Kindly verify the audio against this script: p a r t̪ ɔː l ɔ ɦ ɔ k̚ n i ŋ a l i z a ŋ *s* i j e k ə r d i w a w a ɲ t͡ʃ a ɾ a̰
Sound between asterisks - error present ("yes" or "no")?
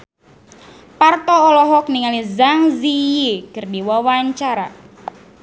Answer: yes